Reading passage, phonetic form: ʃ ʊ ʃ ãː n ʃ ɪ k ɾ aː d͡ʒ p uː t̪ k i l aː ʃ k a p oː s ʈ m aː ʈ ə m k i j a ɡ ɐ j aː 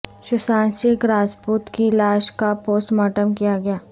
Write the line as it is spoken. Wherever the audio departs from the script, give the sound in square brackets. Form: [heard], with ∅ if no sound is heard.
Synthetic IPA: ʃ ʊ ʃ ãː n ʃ ɪ k ɾ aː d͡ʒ p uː t̪ k i l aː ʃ k a p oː s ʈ m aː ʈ ə m k i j a ɡ ɐ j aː